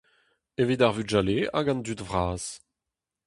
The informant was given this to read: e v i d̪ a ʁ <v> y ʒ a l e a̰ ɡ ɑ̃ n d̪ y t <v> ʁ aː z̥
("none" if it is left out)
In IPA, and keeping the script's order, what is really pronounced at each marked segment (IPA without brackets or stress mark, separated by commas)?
v, v